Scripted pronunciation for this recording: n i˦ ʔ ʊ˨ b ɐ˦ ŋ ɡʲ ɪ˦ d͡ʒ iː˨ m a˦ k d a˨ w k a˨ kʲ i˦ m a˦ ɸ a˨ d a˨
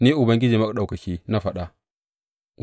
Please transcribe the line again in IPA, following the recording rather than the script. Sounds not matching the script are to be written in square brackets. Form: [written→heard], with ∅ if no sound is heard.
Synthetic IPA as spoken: n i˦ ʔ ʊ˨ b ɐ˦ ŋ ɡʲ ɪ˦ d͡ʒ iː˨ m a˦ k [d→ɗ] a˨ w k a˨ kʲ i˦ [m→n] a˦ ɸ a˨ [d→ɗ] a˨